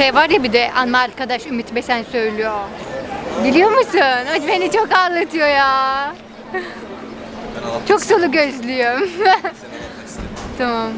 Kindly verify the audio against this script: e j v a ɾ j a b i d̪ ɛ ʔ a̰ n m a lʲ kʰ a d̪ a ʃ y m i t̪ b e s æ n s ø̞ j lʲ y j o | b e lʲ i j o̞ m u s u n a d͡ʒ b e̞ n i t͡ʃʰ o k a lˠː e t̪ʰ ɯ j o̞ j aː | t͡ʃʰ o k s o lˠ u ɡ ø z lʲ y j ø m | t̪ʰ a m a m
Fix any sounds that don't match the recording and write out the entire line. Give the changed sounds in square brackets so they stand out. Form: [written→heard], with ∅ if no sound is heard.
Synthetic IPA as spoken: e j v a ɾ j a b i d̪ ɛ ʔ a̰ n m a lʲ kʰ a d̪ a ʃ y m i t̪ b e s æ n s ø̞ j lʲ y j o | [b→ɟ] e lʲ i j o̞ m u s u n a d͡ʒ b e̞ n i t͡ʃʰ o k a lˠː [e→a] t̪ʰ ɯ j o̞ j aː | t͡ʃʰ o k s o lˠ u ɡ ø z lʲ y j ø m | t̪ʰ a m a m